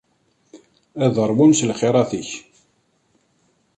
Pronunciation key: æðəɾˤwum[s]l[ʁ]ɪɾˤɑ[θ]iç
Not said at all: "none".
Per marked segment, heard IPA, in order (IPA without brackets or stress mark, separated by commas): s, χ, θ